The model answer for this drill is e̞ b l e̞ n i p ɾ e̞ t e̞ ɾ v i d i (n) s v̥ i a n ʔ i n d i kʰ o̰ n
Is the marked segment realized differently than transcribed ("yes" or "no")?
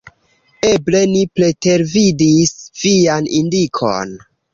yes